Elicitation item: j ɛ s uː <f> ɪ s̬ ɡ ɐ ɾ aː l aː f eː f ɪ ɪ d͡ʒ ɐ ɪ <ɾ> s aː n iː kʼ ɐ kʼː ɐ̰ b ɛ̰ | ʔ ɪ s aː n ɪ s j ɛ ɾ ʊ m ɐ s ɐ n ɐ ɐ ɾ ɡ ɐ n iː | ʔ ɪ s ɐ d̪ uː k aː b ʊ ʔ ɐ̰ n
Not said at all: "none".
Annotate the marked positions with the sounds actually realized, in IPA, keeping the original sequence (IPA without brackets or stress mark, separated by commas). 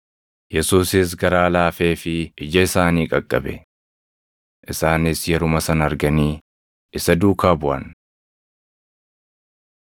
s, none